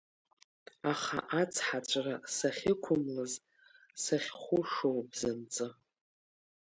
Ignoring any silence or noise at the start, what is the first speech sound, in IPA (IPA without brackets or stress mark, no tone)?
a